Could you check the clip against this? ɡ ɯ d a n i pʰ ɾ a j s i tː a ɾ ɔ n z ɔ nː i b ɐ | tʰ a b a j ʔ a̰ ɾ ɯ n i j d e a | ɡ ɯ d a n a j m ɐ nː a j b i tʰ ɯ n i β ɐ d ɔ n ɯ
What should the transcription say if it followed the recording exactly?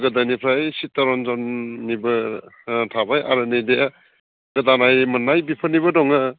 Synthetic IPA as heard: ɡ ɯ d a n i pʰ ɾ a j s i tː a ɾ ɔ n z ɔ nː i b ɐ | tʰ a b a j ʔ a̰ ɾ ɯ n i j d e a | ɡ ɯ d a n a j m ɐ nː a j b i pʰ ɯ n i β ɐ d ɔ ŋ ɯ